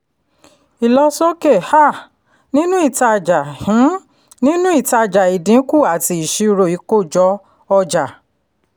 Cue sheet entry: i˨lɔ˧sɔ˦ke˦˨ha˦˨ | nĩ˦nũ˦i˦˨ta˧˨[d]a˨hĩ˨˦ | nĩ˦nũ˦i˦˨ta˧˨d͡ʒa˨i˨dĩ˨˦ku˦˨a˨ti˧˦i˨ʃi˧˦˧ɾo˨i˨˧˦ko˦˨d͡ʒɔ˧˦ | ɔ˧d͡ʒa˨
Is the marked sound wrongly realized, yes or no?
yes